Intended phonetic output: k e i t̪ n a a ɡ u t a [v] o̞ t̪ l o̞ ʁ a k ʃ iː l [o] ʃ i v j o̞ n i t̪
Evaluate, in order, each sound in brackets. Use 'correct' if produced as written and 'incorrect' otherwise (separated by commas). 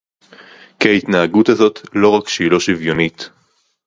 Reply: incorrect, correct